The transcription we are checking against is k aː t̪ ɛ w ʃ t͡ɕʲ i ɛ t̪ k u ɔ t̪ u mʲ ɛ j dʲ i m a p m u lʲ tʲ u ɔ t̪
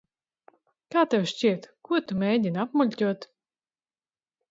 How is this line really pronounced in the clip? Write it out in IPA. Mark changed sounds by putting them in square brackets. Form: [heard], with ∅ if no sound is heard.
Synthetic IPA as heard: k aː t̪ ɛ w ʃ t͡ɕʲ i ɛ t̪ k u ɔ t̪ u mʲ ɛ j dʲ i [n] a p m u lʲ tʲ u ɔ t̪